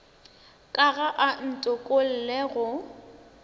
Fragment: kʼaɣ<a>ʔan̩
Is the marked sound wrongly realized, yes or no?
no